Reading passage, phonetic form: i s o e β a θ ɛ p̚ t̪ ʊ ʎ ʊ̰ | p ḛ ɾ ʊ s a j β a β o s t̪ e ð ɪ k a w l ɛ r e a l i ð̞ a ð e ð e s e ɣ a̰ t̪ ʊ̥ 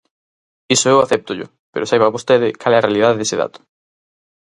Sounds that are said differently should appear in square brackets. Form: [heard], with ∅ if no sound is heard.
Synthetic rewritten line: i s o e [w] a θ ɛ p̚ t̪ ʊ ʎ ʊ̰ | p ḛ ɾ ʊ s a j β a β o s t̪ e ð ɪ k a [∅] l ɛ r e a l i ð̞ a ð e ð e s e [ð] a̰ t̪ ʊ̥